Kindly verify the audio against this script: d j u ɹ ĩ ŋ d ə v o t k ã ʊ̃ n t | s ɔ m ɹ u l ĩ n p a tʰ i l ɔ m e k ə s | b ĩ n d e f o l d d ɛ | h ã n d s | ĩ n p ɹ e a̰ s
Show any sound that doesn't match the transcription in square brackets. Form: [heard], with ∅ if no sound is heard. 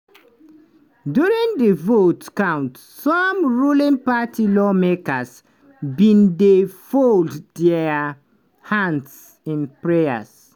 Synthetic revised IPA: d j u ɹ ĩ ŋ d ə v o t k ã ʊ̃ n t | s ɔ m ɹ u l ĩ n p a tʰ i l ɔ m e k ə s | b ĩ n d e f o l d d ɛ | h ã n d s | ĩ n p ɹ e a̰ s